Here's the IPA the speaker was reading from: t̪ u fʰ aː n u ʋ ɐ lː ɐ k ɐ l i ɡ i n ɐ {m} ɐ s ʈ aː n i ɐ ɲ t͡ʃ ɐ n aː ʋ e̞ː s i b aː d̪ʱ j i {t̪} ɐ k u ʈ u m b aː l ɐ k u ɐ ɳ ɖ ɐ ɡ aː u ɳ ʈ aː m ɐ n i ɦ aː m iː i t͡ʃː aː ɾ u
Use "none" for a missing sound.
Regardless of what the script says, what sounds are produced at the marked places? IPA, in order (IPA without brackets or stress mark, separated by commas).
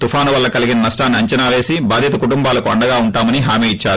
n, t̪